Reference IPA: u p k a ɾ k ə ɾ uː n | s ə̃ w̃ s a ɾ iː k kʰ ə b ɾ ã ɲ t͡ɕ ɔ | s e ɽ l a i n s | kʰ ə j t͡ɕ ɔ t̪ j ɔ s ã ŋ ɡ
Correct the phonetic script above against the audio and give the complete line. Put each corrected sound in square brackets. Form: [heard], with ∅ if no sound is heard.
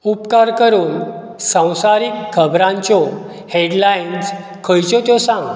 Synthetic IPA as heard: u p k a ɾ k ə ɾ uː n | s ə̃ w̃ s a ɾ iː k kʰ ə b ɾ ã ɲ t͡ɕ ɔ | [h] e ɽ l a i n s | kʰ ə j t͡ɕ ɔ t̪ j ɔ s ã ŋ ɡ